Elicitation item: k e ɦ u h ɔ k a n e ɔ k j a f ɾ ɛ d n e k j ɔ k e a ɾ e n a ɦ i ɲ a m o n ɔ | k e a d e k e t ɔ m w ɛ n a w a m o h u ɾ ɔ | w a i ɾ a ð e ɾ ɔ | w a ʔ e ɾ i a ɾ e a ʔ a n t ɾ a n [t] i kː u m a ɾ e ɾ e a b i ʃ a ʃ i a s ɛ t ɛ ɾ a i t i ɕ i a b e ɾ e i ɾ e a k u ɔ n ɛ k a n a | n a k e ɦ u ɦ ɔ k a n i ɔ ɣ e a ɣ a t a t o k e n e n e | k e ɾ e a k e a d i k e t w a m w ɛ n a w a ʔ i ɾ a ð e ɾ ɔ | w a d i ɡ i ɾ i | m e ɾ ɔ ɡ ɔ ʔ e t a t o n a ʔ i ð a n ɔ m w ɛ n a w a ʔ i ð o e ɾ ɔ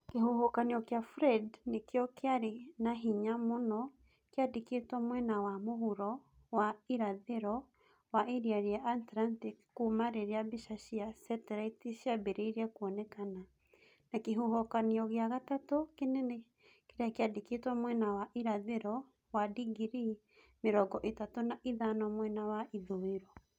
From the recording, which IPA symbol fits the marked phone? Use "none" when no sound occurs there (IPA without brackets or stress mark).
t